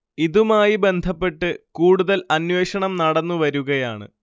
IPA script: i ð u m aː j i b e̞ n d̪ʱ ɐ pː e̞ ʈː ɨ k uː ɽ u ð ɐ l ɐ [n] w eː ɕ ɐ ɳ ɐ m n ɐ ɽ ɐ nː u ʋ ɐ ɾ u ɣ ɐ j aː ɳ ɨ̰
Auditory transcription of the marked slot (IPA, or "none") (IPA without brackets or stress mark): n